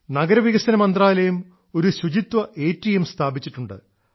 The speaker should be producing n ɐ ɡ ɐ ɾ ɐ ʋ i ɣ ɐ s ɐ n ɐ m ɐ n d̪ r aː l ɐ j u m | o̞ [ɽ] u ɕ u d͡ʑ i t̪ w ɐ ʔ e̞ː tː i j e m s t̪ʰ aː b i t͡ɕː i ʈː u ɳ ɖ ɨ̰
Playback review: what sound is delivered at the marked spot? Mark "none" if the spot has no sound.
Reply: ɾ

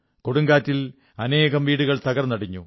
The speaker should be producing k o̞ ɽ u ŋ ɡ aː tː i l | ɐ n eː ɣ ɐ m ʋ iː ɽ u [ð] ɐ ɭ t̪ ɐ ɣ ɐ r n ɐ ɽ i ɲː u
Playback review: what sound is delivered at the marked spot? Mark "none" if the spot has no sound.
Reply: ɣ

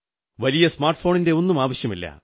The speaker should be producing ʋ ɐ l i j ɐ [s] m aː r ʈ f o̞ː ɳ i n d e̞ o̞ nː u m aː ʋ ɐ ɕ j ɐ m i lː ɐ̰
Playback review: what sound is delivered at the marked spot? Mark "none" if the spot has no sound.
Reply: s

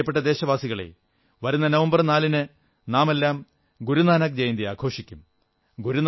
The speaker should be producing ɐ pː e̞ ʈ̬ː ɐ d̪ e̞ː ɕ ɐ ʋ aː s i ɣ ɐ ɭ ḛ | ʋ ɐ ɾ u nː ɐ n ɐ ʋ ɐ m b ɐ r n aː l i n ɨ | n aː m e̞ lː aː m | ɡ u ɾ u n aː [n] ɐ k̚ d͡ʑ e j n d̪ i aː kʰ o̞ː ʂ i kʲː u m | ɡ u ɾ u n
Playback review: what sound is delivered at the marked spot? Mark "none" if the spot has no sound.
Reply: n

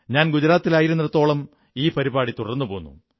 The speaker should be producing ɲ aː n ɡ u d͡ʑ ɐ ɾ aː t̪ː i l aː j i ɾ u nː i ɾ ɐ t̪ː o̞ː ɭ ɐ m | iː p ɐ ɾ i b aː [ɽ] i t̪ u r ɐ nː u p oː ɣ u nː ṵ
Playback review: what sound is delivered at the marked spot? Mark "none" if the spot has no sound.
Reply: ɽ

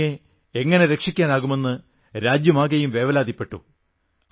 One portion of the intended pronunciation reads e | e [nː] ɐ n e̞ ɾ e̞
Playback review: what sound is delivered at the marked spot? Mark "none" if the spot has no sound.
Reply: ŋː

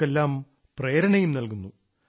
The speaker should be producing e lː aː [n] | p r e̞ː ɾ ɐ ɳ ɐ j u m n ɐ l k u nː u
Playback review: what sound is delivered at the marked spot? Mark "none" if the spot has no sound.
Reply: m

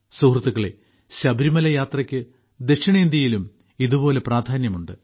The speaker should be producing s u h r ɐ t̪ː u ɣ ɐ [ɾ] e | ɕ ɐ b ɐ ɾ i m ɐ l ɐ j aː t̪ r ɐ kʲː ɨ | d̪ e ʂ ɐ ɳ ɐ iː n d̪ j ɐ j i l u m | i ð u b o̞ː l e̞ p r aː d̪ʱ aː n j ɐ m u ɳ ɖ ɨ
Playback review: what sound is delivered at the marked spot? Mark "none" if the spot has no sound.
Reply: ɭ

